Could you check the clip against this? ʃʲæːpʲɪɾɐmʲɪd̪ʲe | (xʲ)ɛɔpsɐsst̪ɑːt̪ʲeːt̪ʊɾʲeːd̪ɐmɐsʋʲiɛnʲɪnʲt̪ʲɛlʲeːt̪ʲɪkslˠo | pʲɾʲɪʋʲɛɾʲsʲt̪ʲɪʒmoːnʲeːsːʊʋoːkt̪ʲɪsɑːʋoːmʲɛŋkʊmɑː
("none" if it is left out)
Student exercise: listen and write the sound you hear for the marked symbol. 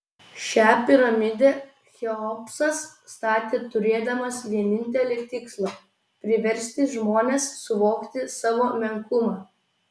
xʲ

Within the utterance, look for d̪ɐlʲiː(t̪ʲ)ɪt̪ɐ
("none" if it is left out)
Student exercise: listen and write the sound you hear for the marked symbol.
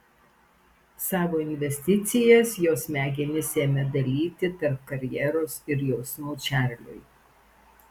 t̪ʲ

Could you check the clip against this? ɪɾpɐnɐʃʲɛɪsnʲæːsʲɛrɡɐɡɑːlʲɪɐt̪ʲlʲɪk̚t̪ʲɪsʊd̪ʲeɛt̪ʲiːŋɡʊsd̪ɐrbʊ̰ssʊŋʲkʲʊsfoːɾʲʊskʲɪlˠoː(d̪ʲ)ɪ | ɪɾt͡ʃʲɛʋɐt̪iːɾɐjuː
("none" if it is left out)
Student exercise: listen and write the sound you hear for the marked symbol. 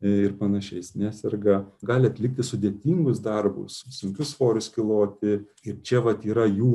t̪ʲ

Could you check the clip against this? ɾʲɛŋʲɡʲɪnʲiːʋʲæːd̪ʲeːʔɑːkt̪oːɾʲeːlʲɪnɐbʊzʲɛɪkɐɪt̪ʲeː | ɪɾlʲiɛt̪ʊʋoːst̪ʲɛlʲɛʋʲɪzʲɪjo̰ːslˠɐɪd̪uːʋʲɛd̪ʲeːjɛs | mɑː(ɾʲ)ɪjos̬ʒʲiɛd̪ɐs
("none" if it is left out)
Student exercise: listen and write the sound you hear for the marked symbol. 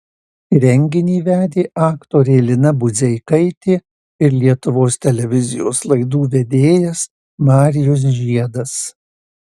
ɾʲ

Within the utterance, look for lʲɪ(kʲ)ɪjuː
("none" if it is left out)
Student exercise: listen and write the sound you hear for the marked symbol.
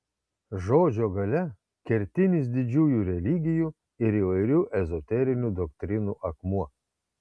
ɡʲ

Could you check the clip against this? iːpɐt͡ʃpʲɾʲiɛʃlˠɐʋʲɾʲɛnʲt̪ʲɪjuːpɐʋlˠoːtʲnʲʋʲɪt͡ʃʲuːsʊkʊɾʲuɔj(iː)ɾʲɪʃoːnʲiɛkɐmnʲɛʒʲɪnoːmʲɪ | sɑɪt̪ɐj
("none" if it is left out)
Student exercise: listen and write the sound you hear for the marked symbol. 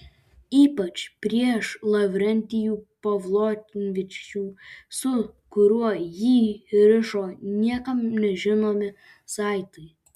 iː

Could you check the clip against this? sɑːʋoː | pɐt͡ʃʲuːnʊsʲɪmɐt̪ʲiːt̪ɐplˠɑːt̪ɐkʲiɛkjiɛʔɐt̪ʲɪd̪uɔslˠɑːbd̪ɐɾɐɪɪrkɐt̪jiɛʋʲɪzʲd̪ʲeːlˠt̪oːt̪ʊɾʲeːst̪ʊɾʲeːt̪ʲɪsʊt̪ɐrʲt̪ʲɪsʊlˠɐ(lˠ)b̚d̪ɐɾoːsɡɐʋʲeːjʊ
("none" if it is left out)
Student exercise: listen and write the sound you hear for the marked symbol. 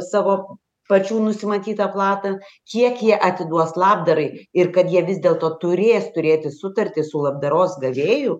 none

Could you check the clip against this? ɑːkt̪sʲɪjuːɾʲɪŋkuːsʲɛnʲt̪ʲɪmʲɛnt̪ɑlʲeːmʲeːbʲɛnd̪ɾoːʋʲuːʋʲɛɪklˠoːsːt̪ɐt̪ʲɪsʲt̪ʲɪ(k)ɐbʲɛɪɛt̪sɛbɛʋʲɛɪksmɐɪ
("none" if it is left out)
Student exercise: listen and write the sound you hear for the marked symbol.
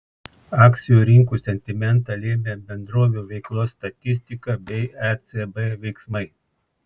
k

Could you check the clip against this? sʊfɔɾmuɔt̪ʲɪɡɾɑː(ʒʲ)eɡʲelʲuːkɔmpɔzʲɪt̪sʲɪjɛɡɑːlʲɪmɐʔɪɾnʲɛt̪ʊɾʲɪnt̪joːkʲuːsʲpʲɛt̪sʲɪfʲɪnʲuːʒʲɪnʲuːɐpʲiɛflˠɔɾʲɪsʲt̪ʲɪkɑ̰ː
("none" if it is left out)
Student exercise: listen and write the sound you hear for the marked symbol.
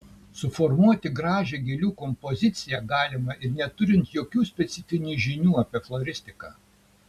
ʒʲ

